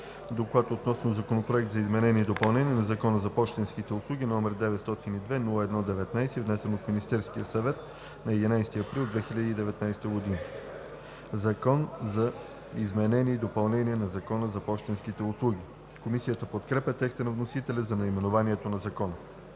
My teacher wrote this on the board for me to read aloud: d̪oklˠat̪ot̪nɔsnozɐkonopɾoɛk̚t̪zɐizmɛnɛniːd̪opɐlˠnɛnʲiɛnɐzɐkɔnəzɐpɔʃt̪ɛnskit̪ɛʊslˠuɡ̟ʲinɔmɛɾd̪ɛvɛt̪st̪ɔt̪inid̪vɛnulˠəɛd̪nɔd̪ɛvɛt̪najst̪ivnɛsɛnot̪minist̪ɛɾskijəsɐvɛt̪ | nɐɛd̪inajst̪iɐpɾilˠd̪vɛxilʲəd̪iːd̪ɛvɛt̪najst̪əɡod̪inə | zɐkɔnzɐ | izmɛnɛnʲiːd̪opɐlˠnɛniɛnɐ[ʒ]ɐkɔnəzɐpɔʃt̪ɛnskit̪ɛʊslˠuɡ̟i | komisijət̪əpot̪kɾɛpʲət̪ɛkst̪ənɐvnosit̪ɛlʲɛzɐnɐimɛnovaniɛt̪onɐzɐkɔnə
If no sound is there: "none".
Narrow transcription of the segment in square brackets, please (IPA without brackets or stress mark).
z